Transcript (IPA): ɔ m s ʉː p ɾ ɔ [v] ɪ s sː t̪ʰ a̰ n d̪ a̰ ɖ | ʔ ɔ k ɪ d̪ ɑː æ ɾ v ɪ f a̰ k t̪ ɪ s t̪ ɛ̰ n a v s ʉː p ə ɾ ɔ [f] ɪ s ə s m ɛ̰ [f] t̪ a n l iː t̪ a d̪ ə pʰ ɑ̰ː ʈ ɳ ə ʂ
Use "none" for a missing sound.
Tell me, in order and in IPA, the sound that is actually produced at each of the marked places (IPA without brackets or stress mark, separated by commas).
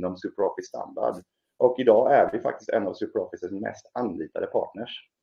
f, f, s